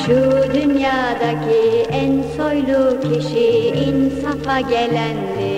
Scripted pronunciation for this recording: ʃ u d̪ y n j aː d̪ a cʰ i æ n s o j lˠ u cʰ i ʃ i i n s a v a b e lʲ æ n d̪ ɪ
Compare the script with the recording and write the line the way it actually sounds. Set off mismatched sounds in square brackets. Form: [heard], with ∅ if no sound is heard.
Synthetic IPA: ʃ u d̪ y n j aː d̪ a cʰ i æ n s o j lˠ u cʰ i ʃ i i n s a [f] a [ɟ] e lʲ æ n d̪ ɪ